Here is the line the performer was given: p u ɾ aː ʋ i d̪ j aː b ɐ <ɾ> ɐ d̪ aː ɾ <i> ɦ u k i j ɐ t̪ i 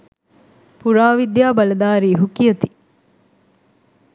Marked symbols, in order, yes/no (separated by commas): no, no